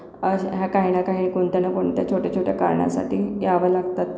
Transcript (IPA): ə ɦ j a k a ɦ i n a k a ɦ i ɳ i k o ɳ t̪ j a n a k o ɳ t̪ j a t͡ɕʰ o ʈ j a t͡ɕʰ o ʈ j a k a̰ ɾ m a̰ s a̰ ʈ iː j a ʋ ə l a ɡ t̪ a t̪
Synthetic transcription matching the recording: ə ɦ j a k a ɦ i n a k a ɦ i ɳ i k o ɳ t̪ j a n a k o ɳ t̪ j a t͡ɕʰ o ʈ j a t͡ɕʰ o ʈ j a k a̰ ɾ ɳ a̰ s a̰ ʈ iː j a ʋ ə l a ɡ t̪ a t̪

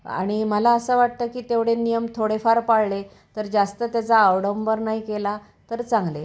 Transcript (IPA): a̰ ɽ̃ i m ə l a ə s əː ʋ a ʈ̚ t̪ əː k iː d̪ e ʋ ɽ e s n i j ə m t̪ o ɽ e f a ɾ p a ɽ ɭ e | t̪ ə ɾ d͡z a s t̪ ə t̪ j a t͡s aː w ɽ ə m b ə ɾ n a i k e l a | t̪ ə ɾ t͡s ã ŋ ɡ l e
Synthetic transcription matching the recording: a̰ ɽ̃ i m ə l a ə s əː ʋ a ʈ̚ t̪ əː k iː t̪ e ʋ ɽ e n i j ə m t̪ʰ o ɽ e f a ɾ p a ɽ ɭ e | t̪ ə ɾ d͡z a s t̪ ə t̪ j a t͡s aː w ɽ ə m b ə ɾ n a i k e l a | t̪ ə ɾ t͡s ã ŋ ɡ l e

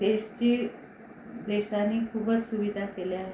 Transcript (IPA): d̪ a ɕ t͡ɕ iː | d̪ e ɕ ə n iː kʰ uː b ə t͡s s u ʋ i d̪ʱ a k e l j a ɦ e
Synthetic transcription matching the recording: d̪ e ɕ t͡ɕ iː | d̪ e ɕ a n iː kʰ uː b ə t͡s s u ʋ i d̪ʱ a k e l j a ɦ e

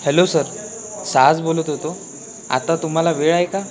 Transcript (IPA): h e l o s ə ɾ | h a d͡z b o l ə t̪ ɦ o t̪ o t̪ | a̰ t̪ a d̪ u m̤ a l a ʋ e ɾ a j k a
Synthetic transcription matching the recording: h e l o s ə ɾ | s a d͡z b o l ə t̪ ɦ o t̪ o | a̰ t̪ a t̪ u m̤ a l a ʋ e ɭ a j k a

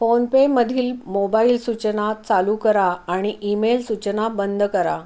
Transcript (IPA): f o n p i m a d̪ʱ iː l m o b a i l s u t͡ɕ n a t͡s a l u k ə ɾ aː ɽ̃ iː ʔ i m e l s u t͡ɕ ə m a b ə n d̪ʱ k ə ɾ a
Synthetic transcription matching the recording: f o n p e m ə d̪ʱ iː l m o b a i l s u t͡ɕ n a t͡s a l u k ə ɾ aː ɽ̃ i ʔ i m e l s u t͡ɕ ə n a b ə n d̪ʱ k ə ɾ a

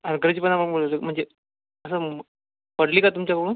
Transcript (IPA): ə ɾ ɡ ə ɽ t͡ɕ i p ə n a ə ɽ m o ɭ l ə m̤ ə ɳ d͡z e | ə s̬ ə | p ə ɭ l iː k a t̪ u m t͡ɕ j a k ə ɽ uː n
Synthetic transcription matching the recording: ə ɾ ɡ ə ɾ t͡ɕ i p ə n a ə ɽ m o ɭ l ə m̤ ə ɳ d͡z e | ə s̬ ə | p ə ɽ l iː k a t̪ u m t͡ɕ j a k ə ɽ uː n

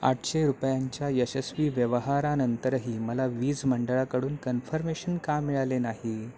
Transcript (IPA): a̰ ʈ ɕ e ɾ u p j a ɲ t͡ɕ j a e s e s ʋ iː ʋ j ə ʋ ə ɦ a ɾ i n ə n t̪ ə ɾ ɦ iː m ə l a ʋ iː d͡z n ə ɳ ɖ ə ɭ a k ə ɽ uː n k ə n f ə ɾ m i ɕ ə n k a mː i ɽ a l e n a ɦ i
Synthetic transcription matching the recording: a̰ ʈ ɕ e ɾ u p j a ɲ t͡ɕ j a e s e s ʋ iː ʋ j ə ʋ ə ɦ a ɾ a n ə n t̪ ə ɾ ɦ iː m ə l a ʋ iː d͡z m ə ɳ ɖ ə ɭ a k ə ɽ uː n k ə n f ə ɾ m e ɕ ə n k a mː i ɭ a l e n a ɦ i

